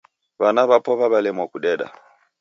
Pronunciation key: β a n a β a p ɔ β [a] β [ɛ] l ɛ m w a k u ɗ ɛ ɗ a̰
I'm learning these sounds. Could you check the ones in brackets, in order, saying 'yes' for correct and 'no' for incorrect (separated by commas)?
yes, no